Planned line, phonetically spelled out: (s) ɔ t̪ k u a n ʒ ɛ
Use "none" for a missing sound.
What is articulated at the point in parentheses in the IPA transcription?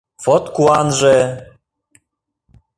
f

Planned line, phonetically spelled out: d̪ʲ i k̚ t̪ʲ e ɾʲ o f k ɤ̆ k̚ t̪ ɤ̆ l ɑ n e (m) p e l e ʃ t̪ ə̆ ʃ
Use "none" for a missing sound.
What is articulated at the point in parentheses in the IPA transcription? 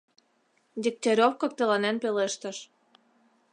n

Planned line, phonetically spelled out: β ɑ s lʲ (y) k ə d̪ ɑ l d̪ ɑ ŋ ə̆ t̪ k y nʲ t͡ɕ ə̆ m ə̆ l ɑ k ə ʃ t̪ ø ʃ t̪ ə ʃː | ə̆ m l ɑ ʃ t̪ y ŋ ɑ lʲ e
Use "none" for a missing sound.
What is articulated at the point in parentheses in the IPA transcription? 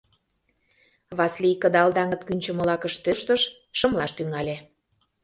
i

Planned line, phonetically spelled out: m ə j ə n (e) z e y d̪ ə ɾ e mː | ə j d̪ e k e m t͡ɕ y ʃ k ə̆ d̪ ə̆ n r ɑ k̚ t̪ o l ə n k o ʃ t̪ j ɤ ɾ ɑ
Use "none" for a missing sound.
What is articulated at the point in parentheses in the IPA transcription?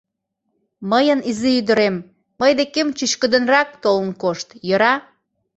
i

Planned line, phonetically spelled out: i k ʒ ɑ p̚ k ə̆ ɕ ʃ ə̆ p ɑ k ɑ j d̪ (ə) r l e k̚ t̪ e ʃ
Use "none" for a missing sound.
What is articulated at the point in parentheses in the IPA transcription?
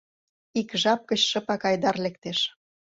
ɑ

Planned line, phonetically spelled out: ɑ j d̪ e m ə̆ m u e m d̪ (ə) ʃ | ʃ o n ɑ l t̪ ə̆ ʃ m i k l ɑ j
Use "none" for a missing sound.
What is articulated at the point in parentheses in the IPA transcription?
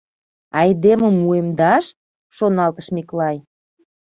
ɑ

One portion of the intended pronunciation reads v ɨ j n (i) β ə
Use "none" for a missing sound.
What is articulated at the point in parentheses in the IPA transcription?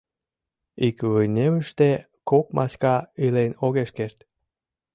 e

